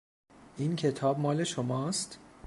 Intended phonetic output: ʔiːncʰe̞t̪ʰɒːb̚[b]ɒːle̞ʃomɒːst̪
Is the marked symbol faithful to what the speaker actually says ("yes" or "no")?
no